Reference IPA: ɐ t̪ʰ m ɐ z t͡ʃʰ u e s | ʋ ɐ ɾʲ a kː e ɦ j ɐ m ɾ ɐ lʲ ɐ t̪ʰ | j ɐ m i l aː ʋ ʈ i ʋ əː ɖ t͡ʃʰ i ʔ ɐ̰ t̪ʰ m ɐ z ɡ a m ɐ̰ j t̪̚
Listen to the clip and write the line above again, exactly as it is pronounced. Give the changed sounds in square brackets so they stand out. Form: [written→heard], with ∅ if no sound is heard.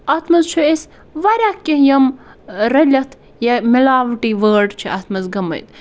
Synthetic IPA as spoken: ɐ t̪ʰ m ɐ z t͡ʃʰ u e s | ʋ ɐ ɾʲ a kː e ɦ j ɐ m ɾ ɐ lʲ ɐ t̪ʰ | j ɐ m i l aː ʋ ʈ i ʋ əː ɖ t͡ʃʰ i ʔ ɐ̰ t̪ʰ m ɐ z ɡ [a→ɐ] m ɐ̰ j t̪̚